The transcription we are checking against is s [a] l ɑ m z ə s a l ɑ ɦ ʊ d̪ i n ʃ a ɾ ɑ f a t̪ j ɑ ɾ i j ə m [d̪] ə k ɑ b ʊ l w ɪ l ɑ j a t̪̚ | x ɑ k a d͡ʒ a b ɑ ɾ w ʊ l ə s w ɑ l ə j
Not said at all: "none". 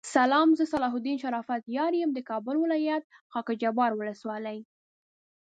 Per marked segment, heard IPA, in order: a, d̪

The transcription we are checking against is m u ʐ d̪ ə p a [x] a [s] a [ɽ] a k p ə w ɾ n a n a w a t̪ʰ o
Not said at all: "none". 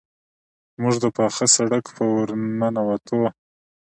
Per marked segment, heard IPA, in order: x, s, ɽ

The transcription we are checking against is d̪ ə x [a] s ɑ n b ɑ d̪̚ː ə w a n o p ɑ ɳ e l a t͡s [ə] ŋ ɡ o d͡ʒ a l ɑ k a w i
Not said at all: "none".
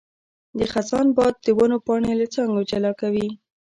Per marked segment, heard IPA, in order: a, ɑ

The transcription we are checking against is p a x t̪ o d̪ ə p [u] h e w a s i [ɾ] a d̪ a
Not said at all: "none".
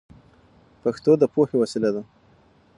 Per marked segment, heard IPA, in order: o, l

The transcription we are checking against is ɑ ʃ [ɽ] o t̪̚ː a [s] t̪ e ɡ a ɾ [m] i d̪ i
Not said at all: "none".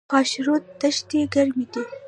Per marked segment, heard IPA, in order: ɾ, ʃ, m

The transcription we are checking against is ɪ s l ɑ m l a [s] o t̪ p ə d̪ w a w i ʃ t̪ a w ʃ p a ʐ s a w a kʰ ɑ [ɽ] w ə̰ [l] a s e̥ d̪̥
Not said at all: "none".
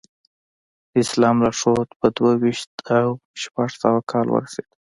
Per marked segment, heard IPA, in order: ʂ, l, ɾ

